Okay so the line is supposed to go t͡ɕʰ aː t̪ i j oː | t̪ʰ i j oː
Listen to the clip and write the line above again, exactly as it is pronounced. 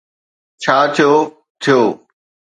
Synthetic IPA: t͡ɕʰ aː t̪ʰ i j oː | t̪ʰ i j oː